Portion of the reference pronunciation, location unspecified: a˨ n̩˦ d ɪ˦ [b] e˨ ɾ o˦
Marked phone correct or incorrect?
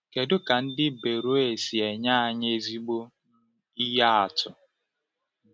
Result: correct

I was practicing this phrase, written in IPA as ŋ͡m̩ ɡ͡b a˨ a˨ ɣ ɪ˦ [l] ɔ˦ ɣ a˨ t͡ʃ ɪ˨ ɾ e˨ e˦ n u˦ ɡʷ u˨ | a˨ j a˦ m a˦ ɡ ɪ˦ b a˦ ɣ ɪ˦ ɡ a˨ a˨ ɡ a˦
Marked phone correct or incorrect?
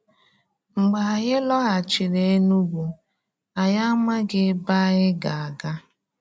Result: correct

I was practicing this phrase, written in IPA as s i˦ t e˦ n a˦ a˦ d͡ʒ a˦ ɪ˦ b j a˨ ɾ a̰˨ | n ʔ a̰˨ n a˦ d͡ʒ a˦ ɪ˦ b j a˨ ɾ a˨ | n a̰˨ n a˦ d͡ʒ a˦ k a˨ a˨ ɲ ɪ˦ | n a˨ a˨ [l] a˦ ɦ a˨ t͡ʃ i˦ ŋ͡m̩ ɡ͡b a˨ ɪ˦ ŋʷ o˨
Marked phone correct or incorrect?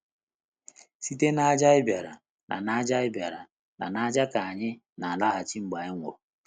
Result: correct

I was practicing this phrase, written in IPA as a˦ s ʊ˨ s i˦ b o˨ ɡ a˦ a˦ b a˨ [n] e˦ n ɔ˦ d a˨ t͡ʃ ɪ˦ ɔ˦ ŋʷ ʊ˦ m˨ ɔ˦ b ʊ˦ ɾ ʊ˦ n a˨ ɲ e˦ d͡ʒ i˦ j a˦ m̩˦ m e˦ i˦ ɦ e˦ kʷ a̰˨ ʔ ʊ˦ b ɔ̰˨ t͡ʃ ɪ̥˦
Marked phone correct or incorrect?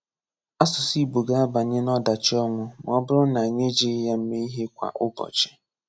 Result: incorrect: ɲ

